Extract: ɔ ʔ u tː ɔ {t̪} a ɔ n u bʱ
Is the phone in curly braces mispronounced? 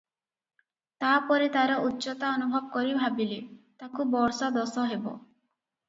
no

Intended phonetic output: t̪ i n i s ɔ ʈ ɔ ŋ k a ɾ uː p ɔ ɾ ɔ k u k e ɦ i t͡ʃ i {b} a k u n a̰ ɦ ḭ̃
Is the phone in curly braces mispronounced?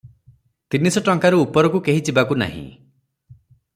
no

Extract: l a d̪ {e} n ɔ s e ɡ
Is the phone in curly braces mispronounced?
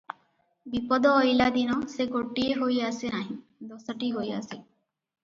yes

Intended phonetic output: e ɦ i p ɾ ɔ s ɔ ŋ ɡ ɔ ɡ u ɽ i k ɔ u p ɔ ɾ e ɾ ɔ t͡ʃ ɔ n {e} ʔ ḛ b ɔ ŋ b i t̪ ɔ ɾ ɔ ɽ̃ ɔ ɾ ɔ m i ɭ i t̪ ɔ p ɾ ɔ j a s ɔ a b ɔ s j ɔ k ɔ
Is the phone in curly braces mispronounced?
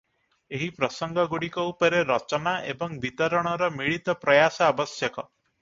yes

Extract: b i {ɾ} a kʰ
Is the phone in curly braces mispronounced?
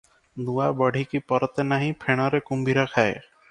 no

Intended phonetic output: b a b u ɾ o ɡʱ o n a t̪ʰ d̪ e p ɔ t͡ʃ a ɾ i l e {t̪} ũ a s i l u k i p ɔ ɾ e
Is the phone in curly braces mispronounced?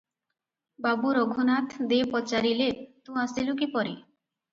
no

